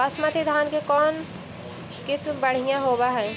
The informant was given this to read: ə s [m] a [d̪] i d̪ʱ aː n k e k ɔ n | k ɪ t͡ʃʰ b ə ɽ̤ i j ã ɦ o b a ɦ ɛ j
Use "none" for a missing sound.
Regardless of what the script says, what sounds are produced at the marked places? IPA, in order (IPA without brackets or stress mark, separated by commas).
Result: m, t̪